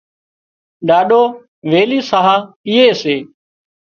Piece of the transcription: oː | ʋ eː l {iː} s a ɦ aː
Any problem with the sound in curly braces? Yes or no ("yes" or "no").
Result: no